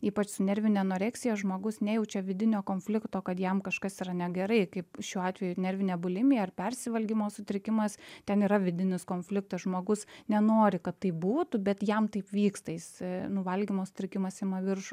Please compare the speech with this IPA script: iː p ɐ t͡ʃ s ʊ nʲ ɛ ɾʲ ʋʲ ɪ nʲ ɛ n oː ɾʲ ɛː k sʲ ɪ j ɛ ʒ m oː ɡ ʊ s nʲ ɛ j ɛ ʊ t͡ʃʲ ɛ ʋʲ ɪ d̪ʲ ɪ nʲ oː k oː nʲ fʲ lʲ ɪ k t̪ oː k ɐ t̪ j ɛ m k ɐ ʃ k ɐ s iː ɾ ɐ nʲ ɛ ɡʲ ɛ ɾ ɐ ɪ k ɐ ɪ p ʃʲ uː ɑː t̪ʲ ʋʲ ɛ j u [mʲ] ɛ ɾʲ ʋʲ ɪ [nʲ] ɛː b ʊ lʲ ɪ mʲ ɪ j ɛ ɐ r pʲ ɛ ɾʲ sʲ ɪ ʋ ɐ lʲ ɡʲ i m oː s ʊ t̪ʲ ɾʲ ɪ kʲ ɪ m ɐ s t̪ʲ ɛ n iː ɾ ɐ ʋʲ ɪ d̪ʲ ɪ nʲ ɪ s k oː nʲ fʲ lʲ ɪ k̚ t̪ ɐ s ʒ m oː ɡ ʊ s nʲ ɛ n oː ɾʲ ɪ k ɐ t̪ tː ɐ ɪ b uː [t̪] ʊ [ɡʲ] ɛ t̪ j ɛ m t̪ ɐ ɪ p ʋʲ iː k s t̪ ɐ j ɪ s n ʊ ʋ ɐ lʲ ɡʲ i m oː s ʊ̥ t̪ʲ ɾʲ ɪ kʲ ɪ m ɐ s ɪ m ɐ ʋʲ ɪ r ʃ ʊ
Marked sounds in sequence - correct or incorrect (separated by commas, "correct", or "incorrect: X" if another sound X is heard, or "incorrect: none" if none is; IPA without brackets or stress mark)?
incorrect: nʲ, correct, correct, incorrect: bʲ